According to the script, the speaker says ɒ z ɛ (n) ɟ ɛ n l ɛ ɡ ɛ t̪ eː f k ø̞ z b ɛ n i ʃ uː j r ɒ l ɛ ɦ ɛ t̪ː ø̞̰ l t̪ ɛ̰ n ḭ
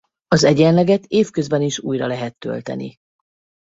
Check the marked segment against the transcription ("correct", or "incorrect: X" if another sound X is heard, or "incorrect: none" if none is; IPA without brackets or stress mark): incorrect: none